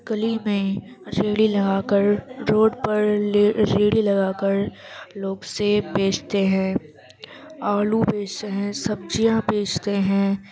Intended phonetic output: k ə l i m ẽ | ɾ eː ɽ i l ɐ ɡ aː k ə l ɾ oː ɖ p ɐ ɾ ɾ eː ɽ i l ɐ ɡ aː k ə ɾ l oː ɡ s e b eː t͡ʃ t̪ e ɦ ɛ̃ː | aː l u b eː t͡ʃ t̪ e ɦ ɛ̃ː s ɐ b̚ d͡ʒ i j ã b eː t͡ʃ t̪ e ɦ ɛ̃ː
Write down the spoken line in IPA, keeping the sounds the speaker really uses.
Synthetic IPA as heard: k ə l i m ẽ | ɾ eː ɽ i l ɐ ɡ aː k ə ɾ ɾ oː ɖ p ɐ ɾ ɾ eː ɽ i l ɐ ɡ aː k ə ɾ l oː ɡ s e b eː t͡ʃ t̪ e ɦ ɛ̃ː | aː l u b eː t͡ʃ t̪ e ɦ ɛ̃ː s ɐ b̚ d͡ʒ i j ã b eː t͡ʃ t̪ e ɦ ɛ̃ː